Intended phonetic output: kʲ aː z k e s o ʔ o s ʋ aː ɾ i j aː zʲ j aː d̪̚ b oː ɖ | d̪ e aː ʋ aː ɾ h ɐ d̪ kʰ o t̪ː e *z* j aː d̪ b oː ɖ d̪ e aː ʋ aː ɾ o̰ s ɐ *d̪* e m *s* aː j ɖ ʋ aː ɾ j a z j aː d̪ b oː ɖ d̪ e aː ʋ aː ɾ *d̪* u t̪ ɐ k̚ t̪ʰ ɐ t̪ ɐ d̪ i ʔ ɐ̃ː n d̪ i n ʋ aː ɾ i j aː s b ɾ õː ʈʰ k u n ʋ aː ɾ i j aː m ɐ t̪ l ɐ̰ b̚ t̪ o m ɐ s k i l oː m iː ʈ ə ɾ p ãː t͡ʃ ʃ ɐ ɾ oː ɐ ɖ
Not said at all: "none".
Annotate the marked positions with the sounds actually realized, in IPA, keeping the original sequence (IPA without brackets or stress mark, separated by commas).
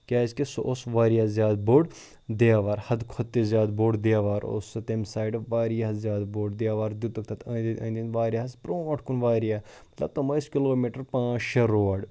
z, t̪, s, d̪